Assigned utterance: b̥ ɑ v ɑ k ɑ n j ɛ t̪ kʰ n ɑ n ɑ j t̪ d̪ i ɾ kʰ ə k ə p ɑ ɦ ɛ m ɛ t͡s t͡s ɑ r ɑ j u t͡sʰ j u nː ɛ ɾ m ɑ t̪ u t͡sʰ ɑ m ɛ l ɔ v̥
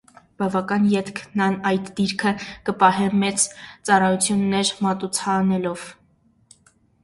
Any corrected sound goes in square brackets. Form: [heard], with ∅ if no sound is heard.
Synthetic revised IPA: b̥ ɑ v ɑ k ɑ n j ɛ t̪ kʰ n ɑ n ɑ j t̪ d̪ i ɾ kʰ ə k ə p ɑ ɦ ɛ m ɛ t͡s t͡s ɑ r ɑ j u t͡sʰ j u nː ɛ ɾ m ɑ t̪ u t͡sʰ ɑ [n] ɛ l ɔ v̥